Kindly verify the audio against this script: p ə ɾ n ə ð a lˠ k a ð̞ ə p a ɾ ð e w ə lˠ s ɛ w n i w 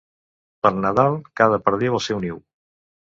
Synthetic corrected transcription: p ə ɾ n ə ð a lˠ k a ð̞ ə p ə ɾ ð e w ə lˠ s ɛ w n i w

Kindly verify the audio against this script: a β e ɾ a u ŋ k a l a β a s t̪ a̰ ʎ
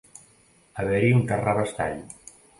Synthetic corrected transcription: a β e ɾ i u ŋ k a r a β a s t̪ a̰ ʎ

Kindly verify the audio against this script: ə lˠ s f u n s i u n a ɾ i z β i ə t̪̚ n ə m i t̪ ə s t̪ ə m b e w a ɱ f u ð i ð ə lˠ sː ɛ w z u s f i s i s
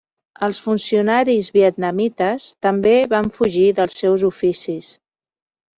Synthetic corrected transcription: ə lˠ s f u n s i u n a ɾ i z β i ə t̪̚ n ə m i t̪ ə s t̪ ə m b e β a ɱ f u ʒ i ð ə lˠ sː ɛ w z u f i s i s

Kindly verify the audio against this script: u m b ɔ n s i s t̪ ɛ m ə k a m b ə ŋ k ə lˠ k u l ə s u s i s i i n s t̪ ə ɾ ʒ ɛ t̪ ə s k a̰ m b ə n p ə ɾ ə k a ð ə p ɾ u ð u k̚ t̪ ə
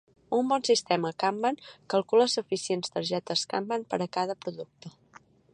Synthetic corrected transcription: u m b ɔ n s i s t̪ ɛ m ə k a m b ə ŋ k ə lˠ k u l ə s u f i s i e n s t̪ ə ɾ ʒ ɛ t̪ ə s k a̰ m b ə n p ə ɾ ə k a ð ə p ɾ u ð u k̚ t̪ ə

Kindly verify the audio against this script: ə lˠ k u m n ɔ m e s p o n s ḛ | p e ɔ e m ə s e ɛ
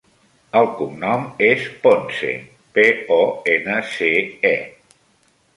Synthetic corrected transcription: ə lˠ k u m n ɔ m e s p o n s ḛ | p e ɔ e n ə s e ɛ

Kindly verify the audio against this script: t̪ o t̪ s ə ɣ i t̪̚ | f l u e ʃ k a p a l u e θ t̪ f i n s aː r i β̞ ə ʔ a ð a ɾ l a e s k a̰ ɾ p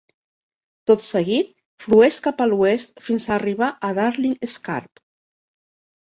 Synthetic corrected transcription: t̪ o t̪ s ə ɣ i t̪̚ | f l u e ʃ k a p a l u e s t̪ f i n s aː r i β̞ a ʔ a ð a ɾ l i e s k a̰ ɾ p

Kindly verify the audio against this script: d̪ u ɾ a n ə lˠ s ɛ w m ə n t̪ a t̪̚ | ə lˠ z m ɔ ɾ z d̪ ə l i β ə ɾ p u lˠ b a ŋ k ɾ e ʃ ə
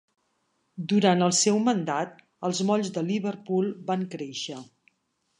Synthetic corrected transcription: d̪ u ɾ a n ə lˠ s ɛ w m ə n d̪ a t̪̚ | ə lˠ z m ɔ ʎ z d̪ ə l i β ə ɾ p u lˠ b a ŋ k ɾ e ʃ ə

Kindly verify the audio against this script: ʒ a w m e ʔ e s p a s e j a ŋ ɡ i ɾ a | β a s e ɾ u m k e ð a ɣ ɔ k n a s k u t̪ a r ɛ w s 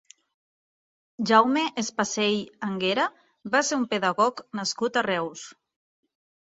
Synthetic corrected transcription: ʒ a w m e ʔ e s p a s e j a ŋ ɡ e ɾ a | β a s e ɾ u m p e ð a ɣ ɔ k n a s k u t̪ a r ɛ w s

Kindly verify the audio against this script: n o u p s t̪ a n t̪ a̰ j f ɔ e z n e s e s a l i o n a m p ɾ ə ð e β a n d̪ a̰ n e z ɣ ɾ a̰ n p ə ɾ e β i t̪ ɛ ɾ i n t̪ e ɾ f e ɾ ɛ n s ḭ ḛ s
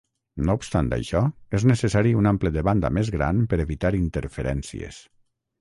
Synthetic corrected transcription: n o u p s t̪ a n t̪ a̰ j ʃ ɔ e z n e s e s a ɾ i u n a m p l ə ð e β a n d̪ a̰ m e z ɣ ɾ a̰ n p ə ɾ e β i t̪ a ɾ i n t̪ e ɾ f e ɾ ɛ n s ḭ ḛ s

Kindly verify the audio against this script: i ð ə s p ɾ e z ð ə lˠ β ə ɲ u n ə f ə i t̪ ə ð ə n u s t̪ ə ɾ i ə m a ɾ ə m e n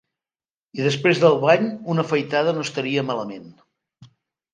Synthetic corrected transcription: i ð ə s p ɾ e z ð ə lˠ β a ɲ u n ə f ə j t̪ a ð ə n o s t̪ ə ɾ i ə m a l ə m e n

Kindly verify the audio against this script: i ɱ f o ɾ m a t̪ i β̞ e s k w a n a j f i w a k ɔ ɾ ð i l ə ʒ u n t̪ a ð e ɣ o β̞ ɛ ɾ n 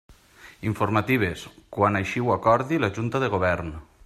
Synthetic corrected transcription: i ɱ f o ɾ m a t̪ i β̞ e s k w a n a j ʃ i w a k ɔ ɾ ð i l a ʒ u n t̪ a ð e ɣ o β̞ ɛ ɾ n

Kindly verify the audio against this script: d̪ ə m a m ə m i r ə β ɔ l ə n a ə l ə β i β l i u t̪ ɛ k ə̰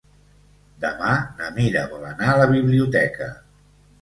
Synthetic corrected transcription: d̪ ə m a n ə m i ɾ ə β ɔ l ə n a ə l ə β i β l i u t̪ ɛ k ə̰

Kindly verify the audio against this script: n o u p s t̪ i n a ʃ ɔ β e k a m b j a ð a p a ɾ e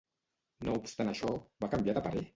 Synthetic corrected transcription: n o u p s t̪ a n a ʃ ɔ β a k a m b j a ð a p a ɾ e

